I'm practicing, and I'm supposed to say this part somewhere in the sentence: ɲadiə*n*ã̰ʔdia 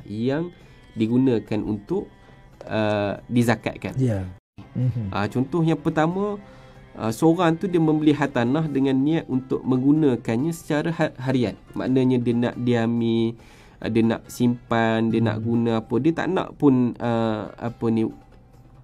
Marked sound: correct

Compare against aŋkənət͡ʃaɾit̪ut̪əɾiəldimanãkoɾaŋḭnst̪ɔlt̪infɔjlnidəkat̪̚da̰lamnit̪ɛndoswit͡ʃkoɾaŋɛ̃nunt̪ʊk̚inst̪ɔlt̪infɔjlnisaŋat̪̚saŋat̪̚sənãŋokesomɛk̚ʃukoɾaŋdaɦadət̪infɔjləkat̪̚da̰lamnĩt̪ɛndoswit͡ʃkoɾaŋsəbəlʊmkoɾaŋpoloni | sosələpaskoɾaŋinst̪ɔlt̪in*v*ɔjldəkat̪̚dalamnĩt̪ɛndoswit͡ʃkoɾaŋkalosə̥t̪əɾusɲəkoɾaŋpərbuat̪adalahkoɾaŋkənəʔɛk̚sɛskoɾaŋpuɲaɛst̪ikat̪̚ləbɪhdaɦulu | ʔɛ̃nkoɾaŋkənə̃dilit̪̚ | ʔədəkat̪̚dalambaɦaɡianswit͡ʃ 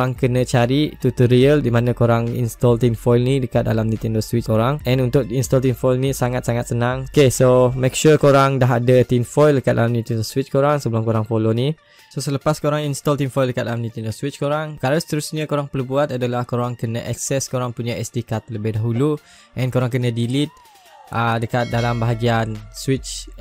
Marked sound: incorrect: f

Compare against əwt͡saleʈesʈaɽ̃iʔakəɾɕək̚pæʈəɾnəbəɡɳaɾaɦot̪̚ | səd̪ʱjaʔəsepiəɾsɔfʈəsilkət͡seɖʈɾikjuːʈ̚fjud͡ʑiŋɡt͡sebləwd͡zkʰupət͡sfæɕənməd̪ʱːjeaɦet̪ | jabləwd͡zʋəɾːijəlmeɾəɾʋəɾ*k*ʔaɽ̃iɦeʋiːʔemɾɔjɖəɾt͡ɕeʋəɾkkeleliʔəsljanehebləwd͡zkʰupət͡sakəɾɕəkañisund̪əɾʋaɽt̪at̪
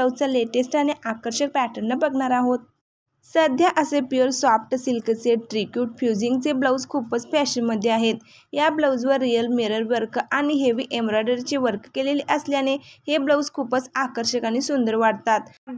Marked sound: correct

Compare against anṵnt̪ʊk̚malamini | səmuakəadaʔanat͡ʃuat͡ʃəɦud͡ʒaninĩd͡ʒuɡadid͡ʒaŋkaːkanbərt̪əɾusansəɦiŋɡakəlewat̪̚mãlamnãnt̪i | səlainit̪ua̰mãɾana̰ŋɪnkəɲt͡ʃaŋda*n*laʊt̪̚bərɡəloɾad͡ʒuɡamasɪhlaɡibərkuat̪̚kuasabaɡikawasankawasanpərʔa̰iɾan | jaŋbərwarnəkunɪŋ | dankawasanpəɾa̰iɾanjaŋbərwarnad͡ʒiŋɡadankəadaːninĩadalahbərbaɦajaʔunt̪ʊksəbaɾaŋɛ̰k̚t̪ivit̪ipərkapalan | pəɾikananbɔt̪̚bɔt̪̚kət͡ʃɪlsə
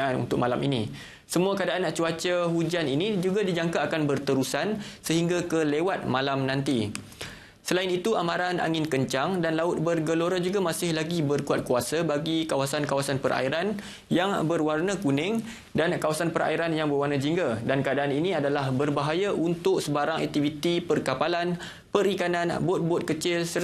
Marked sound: correct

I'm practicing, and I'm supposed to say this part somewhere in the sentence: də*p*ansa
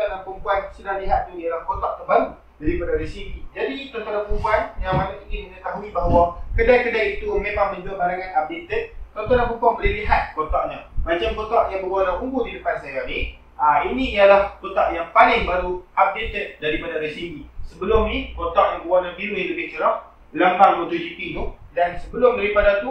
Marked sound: correct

